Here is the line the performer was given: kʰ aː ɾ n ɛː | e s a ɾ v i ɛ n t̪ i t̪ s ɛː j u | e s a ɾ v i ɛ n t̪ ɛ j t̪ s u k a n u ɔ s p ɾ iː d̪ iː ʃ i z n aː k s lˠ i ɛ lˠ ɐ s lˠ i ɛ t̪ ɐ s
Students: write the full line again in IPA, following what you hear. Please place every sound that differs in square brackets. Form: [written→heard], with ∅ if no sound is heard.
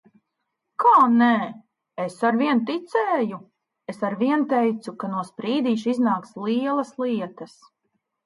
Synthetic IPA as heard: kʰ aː [ɾ→∅] n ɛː | e s a ɾ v i ɛ n t̪ i t̪ s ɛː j u | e s a ɾ v i ɛ n t̪ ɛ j t̪ s u k a n u ɔ s p ɾ iː d̪ iː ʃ i z n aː k s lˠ i ɛ lˠ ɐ s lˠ i ɛ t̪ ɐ s